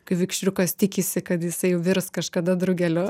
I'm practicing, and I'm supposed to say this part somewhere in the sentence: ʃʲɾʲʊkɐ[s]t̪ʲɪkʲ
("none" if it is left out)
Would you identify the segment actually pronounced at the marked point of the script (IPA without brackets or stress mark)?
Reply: s